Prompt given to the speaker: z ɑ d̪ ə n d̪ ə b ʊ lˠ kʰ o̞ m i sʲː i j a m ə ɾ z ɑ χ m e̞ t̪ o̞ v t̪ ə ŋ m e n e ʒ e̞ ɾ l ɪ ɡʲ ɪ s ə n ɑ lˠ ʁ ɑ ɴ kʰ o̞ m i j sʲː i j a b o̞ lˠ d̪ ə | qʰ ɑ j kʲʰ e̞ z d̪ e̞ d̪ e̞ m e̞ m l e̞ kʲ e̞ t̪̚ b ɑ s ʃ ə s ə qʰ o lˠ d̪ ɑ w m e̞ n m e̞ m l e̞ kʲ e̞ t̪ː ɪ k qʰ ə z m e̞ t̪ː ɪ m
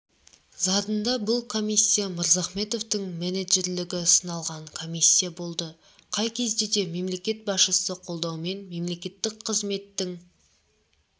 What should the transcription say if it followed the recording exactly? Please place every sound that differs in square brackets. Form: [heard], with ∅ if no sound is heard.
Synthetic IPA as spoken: z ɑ d̪ ə n d̪ [ɑ] b ʊ lˠ kʰ o̞ m i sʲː i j a m ə ɾ z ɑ χ m e̞ t̪ o̞ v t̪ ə ŋ m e n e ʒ e̞ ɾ l ɪ ɡʲ ɪ s ə n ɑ lˠ ʁ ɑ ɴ kʰ o̞ m i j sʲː i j a b o̞ lˠ d̪ ə | qʰ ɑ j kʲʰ e̞ z d̪ e̞ d̪ e̞ m e̞ m l e̞ kʲ e̞ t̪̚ b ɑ s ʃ ə s ə qʰ o lˠ d̪ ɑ w m e̞ n m e̞ m l e̞ kʲ e̞ t̪ː ɪ k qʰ ə z m e̞ t̪ː ɪ [ŋ]